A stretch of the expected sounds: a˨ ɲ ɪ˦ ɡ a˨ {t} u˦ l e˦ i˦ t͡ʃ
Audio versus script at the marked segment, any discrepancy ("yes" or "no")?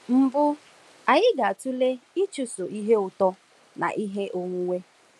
no